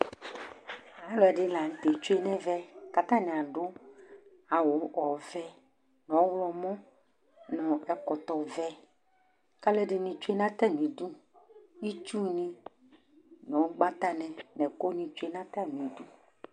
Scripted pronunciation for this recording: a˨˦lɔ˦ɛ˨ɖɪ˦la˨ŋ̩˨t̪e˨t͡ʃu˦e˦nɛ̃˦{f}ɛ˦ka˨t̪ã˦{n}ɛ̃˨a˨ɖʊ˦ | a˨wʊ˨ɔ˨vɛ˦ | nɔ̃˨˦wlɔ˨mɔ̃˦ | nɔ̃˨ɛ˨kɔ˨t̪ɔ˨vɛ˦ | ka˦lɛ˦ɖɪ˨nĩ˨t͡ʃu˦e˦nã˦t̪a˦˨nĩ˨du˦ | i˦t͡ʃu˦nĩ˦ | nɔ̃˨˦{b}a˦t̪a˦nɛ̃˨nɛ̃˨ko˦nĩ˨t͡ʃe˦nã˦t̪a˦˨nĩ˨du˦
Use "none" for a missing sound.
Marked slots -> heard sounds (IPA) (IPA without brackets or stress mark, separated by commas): v, n, ɡ͡b